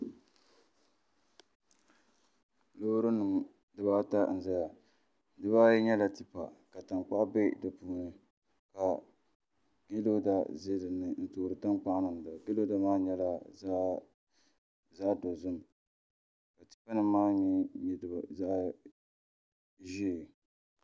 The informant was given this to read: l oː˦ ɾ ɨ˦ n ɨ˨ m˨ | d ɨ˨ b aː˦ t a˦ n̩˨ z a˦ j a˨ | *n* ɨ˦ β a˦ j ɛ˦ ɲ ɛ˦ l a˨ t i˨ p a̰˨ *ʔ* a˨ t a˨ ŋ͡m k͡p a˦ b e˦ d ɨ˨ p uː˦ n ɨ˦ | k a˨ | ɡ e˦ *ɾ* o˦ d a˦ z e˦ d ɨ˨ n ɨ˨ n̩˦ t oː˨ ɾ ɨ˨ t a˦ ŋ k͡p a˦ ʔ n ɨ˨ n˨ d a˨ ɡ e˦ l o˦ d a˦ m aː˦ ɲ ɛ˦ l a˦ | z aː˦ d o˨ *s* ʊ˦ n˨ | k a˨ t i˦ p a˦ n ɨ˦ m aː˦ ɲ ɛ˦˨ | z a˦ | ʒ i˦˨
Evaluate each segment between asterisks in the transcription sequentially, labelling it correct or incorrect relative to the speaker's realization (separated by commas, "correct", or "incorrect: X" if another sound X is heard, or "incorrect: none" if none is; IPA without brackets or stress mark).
incorrect: d, incorrect: k, incorrect: l, incorrect: z